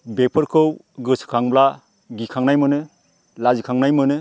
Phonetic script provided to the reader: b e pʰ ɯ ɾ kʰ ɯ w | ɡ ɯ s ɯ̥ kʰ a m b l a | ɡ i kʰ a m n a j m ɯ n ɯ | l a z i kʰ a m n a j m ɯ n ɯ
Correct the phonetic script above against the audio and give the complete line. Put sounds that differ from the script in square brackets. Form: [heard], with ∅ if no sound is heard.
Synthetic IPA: b e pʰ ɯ ɾ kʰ ɯ w | ɡ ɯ s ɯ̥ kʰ a [ŋ] b l a | ɡ i kʰ a [ŋ] n a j m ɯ n ɯ | l a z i kʰ a [ŋ] n a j m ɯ n ɯ